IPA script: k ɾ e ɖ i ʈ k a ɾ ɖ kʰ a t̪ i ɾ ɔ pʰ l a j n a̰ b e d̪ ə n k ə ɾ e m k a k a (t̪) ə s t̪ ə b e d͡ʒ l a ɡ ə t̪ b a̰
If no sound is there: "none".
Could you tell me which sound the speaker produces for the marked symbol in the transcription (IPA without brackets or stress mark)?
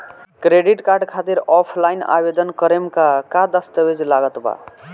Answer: d̪